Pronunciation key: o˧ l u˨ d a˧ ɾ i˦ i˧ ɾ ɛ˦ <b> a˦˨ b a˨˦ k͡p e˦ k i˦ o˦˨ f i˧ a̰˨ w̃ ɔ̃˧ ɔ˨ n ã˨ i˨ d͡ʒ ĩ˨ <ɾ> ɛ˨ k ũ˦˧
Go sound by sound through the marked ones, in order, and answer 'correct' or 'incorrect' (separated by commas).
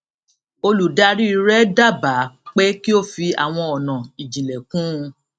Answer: incorrect, incorrect